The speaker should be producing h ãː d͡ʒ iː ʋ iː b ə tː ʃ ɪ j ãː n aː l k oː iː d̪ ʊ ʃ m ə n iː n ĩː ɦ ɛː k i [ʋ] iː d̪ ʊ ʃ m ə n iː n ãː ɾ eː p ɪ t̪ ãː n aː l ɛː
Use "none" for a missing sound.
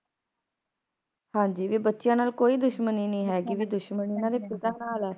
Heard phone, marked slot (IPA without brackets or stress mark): ʋ